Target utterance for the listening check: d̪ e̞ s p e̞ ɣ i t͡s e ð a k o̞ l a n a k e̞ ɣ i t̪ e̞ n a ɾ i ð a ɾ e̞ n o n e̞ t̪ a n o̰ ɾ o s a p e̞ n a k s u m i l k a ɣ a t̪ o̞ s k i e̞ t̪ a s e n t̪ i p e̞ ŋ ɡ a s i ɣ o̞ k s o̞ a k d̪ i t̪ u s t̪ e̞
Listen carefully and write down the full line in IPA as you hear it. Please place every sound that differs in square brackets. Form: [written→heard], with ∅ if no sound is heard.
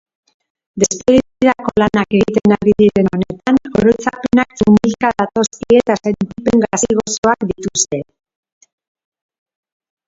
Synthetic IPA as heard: d̪ e̞ s p e̞ ɣ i t͡s [e→i] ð a k o̞ l a n a k e̞ ɣ i t̪ e̞ n a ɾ i ð [a→i] ɾ e̞ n o n e̞ t̪ a n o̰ ɾ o [s→t͡s] a p e̞ n a k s u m i l k a [ɣ→ð] a t̪ o̞ s k i e̞ t̪ a s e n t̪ i p e̞ ŋ ɡ a s i ɣ o̞ [k→∅] s o̞ a k d̪ i t̪ u s t̪ e̞